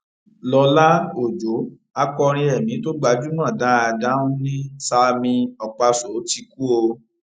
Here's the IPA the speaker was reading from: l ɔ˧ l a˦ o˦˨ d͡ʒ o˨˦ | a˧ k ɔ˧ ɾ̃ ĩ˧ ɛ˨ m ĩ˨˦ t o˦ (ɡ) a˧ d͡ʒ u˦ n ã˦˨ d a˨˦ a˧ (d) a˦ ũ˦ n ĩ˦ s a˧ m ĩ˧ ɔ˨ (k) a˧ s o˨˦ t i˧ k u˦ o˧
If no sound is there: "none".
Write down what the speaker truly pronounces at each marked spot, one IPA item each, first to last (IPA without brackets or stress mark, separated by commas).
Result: ɡ͡b, d, k͡p